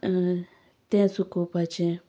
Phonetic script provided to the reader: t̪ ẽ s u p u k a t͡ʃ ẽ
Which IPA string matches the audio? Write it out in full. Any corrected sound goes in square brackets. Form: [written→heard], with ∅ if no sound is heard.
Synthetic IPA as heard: t̪ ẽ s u [p→k] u [k→p] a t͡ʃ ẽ